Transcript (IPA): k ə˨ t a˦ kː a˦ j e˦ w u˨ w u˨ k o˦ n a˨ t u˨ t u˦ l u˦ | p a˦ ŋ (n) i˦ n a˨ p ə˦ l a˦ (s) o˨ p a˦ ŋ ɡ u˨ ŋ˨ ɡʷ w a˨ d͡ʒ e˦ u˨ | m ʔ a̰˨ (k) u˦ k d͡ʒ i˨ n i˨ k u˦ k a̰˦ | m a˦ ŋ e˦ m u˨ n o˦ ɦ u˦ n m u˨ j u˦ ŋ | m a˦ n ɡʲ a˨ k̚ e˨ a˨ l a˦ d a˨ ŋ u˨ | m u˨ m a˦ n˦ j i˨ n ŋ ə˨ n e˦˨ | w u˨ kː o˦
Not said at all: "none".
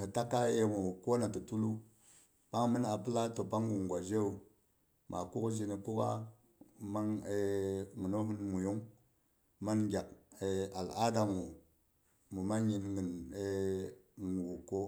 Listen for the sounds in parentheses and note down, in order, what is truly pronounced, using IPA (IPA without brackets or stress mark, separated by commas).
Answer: m, t, k